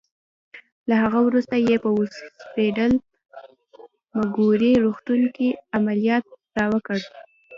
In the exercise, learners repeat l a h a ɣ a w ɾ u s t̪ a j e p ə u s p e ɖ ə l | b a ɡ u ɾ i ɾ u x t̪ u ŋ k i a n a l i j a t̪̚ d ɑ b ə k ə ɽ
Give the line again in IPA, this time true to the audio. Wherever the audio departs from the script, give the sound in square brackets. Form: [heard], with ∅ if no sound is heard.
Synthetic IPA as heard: l a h a ɣ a w ɾ u s t̪ a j e p ə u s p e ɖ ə l | [m] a ɡ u ɾ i ɾ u x t̪ u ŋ k i a [m] a l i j [ɑ] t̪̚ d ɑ [w] ə k ə ɽ